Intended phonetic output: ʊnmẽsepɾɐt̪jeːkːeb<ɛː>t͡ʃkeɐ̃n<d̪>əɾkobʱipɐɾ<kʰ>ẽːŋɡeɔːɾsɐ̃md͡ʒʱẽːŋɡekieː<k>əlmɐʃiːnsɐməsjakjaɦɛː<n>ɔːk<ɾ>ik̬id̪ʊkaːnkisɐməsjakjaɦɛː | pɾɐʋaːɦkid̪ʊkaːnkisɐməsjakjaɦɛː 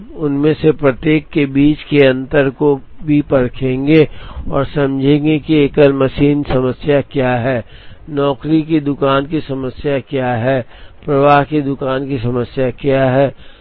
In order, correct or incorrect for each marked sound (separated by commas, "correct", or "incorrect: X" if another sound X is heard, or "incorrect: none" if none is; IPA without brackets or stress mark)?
incorrect: iː, incorrect: t̪, correct, correct, correct, correct